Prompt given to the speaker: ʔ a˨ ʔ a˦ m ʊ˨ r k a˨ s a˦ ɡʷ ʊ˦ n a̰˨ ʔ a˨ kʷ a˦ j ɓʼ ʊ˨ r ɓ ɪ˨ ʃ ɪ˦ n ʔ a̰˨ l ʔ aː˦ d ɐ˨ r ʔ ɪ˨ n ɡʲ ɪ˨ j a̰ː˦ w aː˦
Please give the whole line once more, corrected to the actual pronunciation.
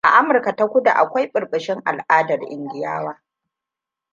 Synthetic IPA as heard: ʔ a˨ ʔ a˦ m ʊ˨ r k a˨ t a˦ kʷ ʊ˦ d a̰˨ ʔ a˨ kʷ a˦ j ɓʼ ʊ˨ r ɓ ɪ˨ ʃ ɪ˦ ŋ ʔ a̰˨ l ʔ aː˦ d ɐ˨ r ʔ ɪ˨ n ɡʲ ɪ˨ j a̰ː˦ w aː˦